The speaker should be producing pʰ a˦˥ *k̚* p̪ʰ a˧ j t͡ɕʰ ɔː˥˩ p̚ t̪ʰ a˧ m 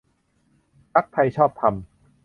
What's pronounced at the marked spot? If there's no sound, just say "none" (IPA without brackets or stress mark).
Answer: k̚